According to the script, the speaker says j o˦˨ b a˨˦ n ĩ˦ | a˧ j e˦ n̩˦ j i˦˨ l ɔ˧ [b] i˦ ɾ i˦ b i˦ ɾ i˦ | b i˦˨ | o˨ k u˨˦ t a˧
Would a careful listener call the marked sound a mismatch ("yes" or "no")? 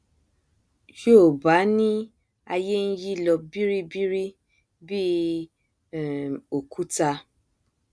no